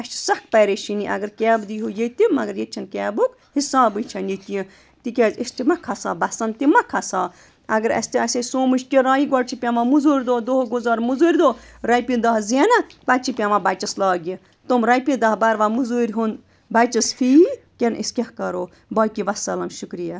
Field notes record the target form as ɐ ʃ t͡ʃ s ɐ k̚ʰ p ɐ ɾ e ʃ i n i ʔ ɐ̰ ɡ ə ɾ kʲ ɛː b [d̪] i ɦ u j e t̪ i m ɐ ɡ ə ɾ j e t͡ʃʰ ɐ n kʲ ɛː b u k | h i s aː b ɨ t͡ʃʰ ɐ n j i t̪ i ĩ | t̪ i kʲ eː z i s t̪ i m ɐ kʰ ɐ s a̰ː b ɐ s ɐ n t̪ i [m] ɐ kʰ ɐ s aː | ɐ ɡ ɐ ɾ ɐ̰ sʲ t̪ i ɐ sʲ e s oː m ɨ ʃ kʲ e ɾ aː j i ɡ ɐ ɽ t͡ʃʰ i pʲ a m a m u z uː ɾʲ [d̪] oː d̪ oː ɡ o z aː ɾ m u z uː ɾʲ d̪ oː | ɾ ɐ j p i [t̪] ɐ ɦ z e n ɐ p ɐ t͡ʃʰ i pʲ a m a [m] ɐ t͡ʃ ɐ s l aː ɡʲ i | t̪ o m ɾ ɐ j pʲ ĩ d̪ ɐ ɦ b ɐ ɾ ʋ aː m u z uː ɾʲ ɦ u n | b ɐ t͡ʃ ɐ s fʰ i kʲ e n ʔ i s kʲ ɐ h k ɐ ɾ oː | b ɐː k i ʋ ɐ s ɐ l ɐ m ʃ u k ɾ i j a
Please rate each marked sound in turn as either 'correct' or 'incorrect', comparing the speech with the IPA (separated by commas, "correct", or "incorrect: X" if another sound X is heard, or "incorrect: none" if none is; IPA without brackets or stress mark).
correct, correct, correct, incorrect: d̪, incorrect: b